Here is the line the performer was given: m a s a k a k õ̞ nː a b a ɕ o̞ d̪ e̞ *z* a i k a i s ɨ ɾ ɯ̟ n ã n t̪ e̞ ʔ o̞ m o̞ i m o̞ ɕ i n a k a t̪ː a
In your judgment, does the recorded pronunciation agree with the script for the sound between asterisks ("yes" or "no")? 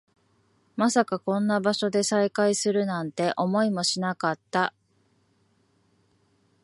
no